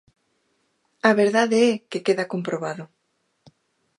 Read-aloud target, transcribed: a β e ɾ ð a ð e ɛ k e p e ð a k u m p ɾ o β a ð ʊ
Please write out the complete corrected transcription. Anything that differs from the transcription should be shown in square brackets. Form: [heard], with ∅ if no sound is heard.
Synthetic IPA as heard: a β e ɾ ð a ð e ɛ k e [k] e ð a k [o] m p ɾ o β a ð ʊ